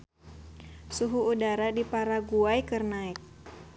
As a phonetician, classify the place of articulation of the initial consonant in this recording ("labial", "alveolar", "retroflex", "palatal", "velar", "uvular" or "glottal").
alveolar